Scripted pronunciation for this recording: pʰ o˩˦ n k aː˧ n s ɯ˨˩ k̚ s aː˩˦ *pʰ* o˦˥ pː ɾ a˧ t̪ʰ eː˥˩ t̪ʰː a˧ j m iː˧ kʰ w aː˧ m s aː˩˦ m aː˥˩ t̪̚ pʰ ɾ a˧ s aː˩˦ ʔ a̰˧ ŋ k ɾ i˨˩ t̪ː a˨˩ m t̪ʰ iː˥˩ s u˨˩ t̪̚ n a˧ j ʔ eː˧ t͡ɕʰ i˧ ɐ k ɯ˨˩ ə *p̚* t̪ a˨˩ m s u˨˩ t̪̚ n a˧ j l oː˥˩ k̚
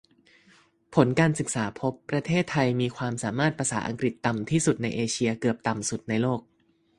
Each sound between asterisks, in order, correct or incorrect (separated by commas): correct, correct